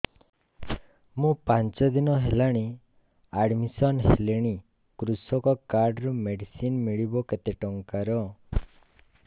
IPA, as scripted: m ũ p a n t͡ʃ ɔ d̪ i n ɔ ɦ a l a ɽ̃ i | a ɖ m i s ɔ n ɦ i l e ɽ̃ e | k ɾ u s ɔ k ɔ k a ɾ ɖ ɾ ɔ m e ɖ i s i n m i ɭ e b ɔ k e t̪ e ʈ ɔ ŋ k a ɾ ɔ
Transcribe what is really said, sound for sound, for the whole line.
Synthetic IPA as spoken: m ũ p a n t͡ʃ ɔ d̪ i n ɔ ɦ e l a ɽ̃ i | a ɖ m i s ɔ n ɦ e l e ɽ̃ i | k ɾ u s ɔ k ɔ k a ɾ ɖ ɾ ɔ m e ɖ i s i n m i ɭ i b ɔ k e t̪ e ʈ ɔ ŋ k a ɾ ɔ